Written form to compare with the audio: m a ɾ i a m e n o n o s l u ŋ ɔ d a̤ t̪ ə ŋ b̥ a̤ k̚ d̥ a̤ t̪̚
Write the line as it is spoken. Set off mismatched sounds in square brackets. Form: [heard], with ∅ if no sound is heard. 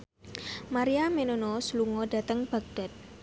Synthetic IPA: m a ɾ i a m e n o n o s l u ŋ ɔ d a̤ t̪ ə ŋ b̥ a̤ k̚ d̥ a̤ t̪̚